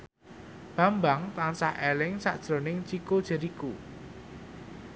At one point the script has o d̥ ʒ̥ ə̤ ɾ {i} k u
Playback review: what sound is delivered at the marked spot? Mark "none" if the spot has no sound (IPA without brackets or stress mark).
i